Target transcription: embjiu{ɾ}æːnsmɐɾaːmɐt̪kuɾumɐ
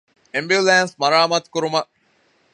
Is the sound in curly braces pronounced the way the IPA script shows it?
no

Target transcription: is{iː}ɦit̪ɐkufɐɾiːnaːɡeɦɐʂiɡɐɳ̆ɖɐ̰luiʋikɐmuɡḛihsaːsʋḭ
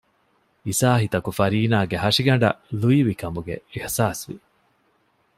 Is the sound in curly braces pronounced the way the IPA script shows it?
no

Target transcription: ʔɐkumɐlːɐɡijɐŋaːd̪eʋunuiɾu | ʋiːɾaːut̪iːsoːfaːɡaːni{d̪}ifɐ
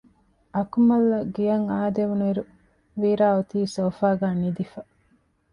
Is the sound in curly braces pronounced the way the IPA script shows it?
yes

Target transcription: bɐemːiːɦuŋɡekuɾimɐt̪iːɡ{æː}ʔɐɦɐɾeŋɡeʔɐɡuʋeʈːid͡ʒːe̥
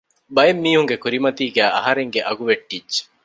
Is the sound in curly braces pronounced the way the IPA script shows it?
yes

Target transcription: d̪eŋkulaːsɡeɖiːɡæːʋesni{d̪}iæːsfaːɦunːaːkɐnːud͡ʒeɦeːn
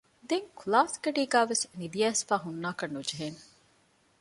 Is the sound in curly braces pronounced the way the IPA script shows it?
yes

